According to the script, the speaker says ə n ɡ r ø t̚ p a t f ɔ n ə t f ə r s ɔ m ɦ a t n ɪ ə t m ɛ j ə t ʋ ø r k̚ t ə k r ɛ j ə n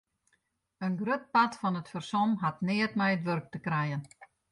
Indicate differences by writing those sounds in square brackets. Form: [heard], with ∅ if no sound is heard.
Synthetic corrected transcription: ə n ɡ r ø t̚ p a t f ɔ n ə t f ə r s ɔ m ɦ a t n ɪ ə t m ɛ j ə t ʋ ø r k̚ t ə k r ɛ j ə n

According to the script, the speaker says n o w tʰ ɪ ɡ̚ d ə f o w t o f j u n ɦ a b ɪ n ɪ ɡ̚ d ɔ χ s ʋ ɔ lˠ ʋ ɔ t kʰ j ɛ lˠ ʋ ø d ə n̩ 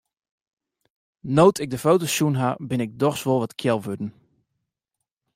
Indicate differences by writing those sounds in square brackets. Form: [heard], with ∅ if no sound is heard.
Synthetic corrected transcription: n o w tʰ ɪ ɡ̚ d ə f o w t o [s] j u n ɦ a b ɪ n ɪ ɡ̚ d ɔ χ s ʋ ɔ lˠ ʋ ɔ t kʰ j ɛ lˠ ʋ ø d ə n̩

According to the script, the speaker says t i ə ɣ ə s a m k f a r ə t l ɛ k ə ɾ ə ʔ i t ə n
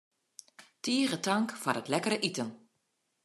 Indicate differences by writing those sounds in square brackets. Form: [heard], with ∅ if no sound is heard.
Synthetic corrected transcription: t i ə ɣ ə [t] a [ŋ] k f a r ə t l ɛ k ə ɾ ə ʔ i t ə n

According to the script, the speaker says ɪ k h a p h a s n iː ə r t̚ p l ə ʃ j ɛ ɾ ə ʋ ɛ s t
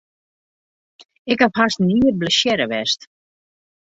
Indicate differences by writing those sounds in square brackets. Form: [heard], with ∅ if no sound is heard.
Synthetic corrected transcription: ɪ k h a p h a s n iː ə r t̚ [b] l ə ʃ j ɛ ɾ ə ʋ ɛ s t

